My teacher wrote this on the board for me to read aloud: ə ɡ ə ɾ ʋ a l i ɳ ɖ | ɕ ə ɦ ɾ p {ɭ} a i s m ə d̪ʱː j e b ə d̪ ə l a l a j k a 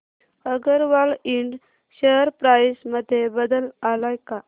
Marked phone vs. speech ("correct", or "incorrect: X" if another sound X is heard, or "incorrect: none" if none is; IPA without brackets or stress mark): incorrect: ɾ